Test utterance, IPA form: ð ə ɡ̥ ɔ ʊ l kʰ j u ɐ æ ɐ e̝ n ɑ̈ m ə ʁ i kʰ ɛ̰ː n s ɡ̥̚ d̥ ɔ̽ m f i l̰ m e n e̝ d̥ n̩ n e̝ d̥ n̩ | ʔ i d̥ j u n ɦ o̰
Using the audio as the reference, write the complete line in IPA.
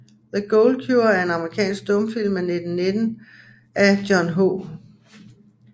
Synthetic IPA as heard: ð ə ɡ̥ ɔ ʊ l kʰ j u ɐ æ ɐ e̝ n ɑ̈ m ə ʁ i kʰ ɛ̰ː n s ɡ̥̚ d̥ ɔ̽ m f i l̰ m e n e̝ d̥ n̩ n e̝ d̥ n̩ | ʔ æ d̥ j ɒ n ɦ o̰